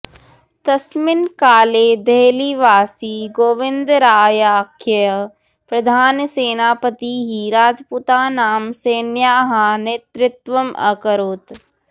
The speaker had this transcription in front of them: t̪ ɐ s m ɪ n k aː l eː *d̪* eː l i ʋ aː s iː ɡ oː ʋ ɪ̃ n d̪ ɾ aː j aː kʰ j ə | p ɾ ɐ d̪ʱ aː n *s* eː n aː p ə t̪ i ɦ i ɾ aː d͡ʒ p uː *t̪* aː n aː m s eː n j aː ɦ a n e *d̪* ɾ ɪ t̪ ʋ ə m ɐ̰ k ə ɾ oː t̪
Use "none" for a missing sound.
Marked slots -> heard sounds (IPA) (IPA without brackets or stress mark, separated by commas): d̪, s, t̪, t̪